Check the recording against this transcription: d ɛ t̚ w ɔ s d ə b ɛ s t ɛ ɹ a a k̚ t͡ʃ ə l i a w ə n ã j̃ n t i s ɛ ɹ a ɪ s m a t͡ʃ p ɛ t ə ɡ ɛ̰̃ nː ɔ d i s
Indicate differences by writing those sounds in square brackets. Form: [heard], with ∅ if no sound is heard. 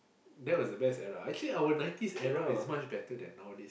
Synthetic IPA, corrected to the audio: d ɛ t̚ w ɔ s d ə b ɛ s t ɛ ɹ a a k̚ t͡ʃ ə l i a w ə n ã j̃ n t i s ɛ ɹ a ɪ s m a t͡ʃ [b] ɛ t ə [d] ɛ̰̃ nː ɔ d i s